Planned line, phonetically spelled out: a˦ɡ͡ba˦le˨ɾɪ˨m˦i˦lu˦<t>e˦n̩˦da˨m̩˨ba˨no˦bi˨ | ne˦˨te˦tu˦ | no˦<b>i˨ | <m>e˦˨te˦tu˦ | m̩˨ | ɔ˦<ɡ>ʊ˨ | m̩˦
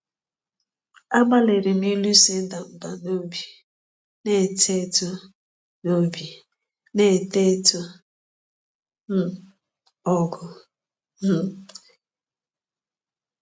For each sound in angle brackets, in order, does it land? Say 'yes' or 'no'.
no, yes, no, yes

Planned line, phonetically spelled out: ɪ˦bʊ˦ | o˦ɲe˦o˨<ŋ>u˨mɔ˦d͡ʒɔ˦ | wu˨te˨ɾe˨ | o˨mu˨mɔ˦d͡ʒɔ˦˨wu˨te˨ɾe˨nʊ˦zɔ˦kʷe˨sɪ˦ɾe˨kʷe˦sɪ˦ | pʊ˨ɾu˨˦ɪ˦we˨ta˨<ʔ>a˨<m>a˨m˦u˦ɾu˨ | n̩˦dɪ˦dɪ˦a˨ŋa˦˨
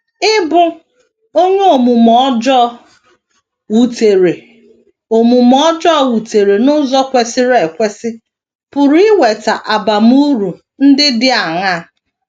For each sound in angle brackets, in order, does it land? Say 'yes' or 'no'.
no, yes, no

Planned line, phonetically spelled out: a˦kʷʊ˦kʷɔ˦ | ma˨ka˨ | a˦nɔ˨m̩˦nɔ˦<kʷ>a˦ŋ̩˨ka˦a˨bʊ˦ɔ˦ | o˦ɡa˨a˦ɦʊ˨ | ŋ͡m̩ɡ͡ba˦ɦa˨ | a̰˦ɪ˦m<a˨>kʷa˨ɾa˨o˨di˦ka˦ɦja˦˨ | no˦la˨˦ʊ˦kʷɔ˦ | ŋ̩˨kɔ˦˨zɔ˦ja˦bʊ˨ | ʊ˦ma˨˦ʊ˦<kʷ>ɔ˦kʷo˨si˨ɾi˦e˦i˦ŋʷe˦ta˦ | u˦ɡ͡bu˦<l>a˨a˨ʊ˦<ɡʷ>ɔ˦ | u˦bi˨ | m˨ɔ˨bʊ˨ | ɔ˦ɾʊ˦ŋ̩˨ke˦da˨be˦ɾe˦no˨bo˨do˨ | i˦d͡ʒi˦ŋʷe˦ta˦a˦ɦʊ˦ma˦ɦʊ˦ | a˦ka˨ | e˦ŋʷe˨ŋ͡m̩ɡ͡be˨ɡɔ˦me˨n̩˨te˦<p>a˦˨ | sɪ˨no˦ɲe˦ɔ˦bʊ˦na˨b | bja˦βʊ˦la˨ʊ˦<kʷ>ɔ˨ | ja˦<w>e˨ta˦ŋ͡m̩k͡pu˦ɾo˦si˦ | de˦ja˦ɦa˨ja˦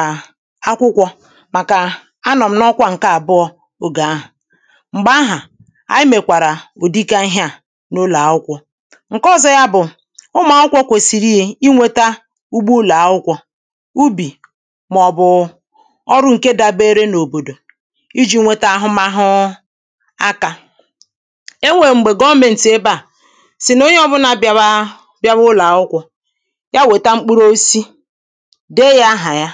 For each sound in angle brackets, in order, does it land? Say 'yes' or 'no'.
yes, no, yes, yes, no, no, yes, yes

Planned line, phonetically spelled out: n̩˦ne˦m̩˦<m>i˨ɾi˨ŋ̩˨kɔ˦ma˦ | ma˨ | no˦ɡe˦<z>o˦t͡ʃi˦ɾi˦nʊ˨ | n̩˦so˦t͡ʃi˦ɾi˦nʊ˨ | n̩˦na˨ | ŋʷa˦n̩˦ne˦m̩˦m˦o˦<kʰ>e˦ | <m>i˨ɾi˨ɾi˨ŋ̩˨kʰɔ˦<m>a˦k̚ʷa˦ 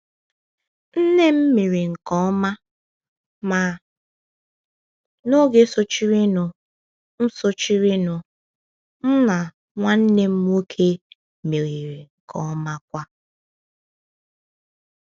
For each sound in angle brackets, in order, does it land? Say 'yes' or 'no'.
yes, no, yes, yes, yes

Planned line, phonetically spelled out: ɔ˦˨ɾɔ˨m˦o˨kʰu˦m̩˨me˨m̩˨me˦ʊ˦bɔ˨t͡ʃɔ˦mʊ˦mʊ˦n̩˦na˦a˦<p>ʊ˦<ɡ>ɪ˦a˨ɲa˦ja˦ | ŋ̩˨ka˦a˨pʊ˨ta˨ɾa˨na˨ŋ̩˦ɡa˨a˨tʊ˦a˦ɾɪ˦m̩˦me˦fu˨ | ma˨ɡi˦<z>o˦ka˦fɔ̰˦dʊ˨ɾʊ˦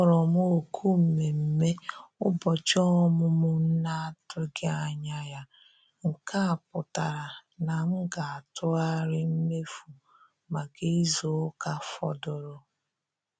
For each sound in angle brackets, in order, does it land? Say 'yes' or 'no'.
no, yes, yes

